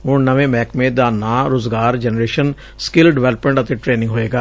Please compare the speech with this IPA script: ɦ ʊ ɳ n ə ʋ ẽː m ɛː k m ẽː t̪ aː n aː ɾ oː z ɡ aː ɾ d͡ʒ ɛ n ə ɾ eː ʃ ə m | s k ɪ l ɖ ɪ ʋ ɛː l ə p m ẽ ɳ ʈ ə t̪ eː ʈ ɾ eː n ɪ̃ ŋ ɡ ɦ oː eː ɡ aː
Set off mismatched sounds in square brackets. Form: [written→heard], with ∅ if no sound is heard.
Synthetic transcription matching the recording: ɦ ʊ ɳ n ə ʋ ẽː m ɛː k m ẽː [t̪→d̪] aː n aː ɾ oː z ɡ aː ɾ d͡ʒ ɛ n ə ɾ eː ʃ ə [m→n] | s k ɪ l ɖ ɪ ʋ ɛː l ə p m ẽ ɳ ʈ ə t̪ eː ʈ ɾ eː n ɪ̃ ŋ ɡ ɦ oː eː ɡ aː